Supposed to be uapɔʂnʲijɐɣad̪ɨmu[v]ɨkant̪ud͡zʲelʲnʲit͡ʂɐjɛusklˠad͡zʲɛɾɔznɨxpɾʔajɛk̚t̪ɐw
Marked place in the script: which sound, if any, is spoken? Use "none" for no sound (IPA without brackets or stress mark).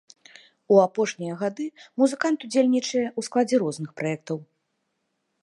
z